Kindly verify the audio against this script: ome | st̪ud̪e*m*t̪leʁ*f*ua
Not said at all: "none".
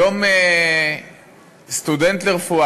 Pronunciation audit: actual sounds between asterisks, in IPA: n, f

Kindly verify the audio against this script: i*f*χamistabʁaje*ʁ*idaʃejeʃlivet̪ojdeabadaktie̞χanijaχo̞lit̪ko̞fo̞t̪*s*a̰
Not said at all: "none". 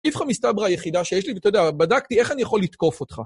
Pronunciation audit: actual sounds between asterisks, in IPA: f, χ, χ

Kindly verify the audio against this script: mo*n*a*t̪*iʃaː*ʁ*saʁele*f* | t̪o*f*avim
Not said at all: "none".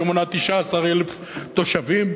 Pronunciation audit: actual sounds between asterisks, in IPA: n, t̪, none, f, ʃ

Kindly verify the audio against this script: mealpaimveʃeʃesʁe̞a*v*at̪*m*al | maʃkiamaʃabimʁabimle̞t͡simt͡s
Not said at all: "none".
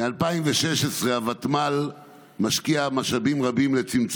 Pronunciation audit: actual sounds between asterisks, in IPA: v, m

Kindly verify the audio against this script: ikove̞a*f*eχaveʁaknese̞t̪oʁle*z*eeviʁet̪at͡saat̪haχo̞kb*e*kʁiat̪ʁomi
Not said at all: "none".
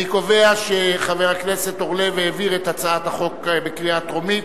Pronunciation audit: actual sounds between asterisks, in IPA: ʃ, v, e

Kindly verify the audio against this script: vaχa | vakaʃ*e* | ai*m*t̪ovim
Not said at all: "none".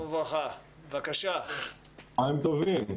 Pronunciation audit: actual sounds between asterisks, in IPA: a, m

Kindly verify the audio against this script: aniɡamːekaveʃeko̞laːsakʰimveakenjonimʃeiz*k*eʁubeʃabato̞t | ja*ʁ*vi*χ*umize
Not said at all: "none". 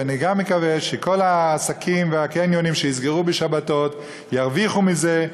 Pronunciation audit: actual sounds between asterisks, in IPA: ɡ, ʁ, χ

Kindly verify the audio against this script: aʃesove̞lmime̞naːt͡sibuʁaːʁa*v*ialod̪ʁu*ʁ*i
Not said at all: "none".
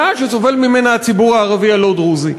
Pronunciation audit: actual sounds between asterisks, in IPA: v, z

